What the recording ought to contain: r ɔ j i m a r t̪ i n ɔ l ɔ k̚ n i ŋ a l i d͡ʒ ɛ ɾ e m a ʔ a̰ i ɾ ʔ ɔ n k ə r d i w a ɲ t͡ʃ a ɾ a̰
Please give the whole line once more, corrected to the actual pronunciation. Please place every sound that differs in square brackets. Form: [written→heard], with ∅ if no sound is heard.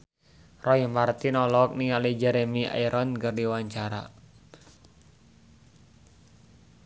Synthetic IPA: r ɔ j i m a r t̪ i n ɔ l ɔ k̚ n i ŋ a l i d͡ʒ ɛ ɾ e m [a→i] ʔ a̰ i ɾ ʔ ɔ n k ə r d i w a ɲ t͡ʃ a ɾ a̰